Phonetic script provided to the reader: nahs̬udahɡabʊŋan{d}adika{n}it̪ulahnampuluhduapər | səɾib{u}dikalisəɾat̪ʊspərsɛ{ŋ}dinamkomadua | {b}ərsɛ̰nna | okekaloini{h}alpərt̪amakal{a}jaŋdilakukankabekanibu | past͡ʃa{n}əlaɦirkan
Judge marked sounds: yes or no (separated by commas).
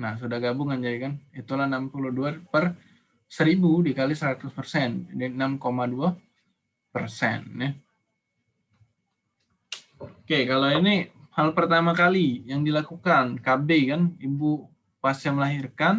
no, yes, yes, no, no, yes, no, no